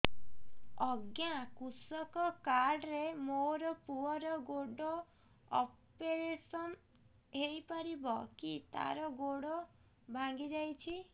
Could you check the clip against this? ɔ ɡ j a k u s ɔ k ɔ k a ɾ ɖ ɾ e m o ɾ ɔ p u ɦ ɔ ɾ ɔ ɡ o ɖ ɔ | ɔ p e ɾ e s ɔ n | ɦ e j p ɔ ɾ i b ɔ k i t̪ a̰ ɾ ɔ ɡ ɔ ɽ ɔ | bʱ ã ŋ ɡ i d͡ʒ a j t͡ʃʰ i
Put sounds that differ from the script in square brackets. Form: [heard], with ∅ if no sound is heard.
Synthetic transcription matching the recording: ɔ ɡ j a k u s ɔ k ɔ k a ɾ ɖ ɾ e m o ɾ ɔ p u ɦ ɔ ɾ ɔ ɡ o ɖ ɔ | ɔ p e ɾ e s ɔ n | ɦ e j p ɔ ɾ i b ɔ k i t̪ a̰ ɾ ɔ ɡ [o] ɽ ɔ | bʱ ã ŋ ɡ i d͡ʒ a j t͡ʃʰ i